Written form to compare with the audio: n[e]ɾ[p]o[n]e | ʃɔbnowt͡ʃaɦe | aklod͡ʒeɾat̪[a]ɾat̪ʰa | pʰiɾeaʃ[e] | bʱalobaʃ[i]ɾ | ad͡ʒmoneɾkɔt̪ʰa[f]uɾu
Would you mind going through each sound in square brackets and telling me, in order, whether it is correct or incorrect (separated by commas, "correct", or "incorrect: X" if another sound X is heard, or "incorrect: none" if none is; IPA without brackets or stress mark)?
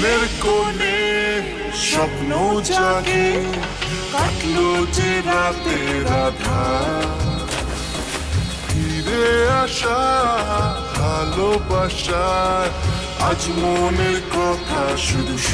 correct, incorrect: k, correct, incorrect: e, incorrect: a, incorrect: a, incorrect: ʃ